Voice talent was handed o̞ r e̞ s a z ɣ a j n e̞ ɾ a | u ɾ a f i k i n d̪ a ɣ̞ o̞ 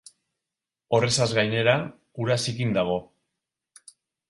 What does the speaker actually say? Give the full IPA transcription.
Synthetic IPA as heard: o̞ r e̞ s a z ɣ a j n e̞ ɾ a | u ɾ a s i k i n d̪ a ɣ̞ o̞